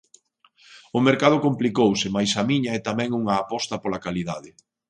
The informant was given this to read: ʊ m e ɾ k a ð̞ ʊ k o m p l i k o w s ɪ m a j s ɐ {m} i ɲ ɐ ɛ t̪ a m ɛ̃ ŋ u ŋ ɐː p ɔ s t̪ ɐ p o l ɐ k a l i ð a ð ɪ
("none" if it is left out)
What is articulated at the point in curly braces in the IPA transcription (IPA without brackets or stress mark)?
m